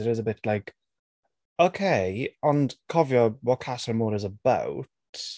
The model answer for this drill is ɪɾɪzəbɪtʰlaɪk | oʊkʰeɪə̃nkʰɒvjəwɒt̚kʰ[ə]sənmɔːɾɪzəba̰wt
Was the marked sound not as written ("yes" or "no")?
yes